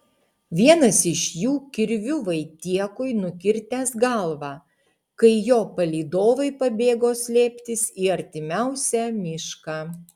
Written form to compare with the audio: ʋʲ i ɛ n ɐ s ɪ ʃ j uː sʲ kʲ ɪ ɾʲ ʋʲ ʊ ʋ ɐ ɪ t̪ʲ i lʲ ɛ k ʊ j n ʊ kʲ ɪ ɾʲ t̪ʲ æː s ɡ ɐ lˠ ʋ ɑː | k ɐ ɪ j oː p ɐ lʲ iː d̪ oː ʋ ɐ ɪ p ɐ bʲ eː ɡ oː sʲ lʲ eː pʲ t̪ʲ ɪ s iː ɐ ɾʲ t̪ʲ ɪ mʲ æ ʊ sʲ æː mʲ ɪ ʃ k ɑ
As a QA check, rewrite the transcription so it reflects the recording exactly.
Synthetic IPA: ʋʲ i ɛ n ɐ s ɪ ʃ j uː kʲ ɪ ɾʲ ʋʲ ʊ ʋ ɐ ɪ t̪ʲ i ɛ k ʊ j n ʊ kʲ ɪ ɾʲ t̪ʲ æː s ɡ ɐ lˠ ʋ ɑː | k ɐ ɪ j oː p ɐ lʲ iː d̪ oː ʋ ɐ ɪ p ɐ bʲ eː ɡ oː sʲ lʲ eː pʲ t̪ʲ ɪ s iː ɐ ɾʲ t̪ʲ ɪ mʲ æ ʊ sʲ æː mʲ ɪ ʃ k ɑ